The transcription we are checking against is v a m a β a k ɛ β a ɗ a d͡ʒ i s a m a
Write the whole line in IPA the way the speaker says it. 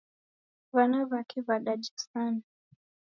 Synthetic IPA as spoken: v a n a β a k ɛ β a ɗ a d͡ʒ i s a n a